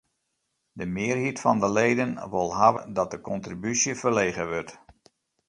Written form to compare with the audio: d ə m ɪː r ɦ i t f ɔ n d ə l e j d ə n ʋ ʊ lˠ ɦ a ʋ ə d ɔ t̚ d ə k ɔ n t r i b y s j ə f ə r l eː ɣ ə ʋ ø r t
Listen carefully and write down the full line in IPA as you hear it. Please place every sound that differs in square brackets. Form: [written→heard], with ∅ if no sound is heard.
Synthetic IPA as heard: d ə m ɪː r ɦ i t f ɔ n d ə l e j d ə n ʋ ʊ lˠ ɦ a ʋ ə d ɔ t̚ d ə k ɔ n t r i b y s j ə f ə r l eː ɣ ə ʋ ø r t